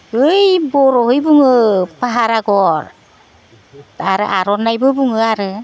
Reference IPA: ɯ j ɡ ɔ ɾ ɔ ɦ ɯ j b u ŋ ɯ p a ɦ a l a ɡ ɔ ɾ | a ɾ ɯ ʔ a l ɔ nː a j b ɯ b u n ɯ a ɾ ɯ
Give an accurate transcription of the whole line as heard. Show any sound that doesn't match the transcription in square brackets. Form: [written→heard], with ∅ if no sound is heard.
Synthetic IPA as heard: ɯ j [ɡ→b] ɔ ɾ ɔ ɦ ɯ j b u ŋ ɯ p a ɦ a [l→ɾ] a ɡ ɔ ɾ | a ɾ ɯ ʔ a [l→ɾ] ɔ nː a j b ɯ b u [n→ŋ] ɯ a ɾ ɯ